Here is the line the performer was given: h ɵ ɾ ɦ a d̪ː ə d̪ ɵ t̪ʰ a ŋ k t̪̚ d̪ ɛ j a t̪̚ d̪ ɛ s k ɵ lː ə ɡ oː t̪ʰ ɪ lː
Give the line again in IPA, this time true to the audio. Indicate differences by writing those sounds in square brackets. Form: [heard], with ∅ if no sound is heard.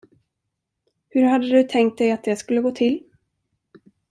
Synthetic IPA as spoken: h ɵ ɾ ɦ a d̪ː ə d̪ ɵ t̪ʰ [ɛ] ŋ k t̪̚ d̪ ɛ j a t̪̚ d̪ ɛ s k ɵ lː ə ɡ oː t̪ʰ ɪ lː